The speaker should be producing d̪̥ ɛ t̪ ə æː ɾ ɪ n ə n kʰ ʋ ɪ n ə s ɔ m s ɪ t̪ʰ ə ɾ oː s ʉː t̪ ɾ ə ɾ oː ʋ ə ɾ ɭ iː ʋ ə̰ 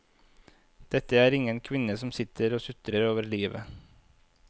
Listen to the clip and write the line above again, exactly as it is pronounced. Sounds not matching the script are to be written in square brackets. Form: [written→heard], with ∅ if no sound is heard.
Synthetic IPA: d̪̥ ɛ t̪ ə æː ɾ ɪ [n→ŋ] ə n kʰ ʋ ɪ n ə s ɔ m s ɪ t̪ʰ ə ɾ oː s [ʉː→ʉ] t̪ ɾ ə ɾ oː ʋ ə ɾ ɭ iː ʋ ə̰